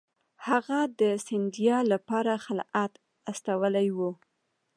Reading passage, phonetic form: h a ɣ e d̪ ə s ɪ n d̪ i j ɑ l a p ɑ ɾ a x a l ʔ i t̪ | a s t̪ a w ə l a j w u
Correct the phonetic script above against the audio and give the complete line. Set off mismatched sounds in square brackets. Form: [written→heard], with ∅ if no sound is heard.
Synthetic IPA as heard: h a ɣ [e→a] d̪ ə s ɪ n d̪ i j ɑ l a p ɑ ɾ a x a l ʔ [i→a] t̪ | a s t̪ a w ə l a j w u